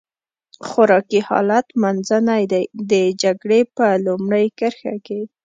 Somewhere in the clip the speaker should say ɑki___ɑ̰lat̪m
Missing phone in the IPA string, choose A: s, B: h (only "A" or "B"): B